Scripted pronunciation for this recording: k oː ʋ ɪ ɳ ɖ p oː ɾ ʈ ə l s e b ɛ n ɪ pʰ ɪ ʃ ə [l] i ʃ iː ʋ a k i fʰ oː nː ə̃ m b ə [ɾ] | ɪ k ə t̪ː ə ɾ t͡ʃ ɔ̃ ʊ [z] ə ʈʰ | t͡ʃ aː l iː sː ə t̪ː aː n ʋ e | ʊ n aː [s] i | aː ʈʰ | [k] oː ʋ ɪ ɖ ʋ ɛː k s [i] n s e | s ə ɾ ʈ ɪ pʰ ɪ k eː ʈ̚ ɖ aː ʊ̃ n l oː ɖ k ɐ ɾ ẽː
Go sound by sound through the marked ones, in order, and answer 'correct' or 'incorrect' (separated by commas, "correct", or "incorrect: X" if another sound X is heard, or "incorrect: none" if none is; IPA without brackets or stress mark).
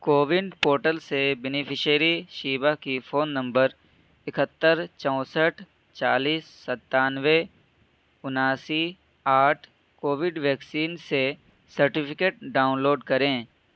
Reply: incorrect: ɾ, correct, incorrect: s, correct, correct, incorrect: iː